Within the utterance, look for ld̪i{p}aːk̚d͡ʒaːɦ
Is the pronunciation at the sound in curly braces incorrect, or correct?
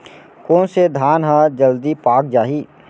correct